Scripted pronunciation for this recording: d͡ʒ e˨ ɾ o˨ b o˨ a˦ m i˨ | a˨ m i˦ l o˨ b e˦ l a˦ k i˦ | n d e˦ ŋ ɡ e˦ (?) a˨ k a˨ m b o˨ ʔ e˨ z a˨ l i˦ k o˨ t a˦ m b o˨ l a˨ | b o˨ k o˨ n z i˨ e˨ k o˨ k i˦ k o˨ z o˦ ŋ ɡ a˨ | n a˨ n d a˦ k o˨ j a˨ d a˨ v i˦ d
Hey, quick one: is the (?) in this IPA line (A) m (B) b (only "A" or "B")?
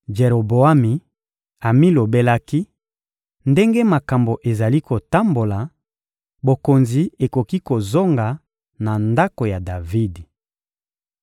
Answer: A